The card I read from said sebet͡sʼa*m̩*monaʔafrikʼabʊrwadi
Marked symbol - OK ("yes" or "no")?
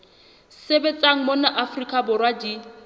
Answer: no